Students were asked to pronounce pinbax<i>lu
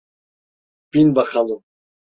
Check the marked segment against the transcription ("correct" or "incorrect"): incorrect